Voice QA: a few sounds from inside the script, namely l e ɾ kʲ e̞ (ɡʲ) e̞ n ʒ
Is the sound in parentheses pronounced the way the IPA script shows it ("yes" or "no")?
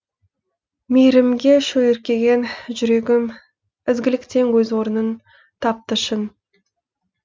yes